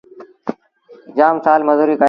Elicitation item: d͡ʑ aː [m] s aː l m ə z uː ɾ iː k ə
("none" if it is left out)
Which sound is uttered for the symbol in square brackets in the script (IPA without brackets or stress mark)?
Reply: m